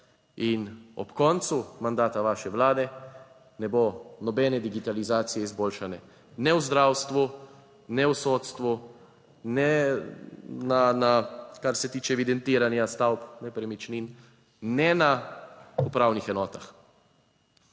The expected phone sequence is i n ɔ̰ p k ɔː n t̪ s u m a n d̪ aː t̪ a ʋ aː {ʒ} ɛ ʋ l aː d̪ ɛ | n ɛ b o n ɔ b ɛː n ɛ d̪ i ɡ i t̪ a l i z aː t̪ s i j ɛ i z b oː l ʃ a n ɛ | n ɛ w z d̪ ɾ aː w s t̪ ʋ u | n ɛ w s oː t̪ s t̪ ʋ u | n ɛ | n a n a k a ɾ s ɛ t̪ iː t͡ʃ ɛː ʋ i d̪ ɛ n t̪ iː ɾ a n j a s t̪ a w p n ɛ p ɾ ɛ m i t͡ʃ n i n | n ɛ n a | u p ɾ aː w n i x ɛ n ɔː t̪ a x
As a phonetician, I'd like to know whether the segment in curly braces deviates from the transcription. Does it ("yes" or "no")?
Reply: yes